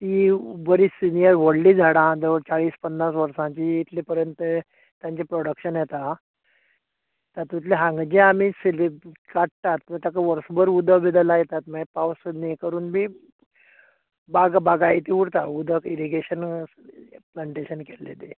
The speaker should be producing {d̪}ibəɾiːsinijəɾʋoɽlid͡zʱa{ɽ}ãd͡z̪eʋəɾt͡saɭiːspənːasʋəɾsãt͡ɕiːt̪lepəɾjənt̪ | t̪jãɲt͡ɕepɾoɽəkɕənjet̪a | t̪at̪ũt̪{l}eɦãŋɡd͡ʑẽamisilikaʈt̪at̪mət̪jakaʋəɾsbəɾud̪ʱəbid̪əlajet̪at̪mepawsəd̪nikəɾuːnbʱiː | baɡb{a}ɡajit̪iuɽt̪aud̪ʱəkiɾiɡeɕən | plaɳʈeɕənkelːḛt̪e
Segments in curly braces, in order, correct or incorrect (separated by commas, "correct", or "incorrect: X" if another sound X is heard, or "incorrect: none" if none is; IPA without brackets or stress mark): incorrect: t̪, correct, correct, correct